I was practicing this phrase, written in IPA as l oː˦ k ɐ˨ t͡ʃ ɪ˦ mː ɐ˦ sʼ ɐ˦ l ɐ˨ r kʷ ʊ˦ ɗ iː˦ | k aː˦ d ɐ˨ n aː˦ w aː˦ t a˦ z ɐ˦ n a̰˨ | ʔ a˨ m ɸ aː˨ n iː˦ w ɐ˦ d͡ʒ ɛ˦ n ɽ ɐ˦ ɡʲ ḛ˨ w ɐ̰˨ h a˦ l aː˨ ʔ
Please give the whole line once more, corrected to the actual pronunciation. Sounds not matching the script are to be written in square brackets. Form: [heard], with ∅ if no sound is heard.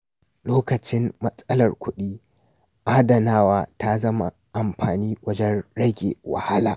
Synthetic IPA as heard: l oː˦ k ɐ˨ t͡ʃ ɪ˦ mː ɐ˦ sʼ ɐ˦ l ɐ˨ r kʷ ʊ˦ ɗ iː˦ | [ʔ] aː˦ d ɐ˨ n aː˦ w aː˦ t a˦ z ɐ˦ [m] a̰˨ | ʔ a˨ m ɸ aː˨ n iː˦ w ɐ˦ d͡ʒ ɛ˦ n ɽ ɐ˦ ɡʲ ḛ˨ w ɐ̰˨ h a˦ l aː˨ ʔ